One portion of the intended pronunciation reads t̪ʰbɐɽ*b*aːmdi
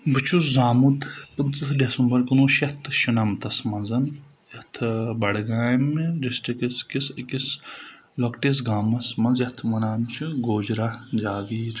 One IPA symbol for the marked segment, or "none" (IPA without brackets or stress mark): ɡ